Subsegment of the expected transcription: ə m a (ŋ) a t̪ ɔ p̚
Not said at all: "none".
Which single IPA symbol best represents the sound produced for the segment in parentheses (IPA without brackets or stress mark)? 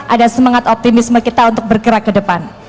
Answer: ŋ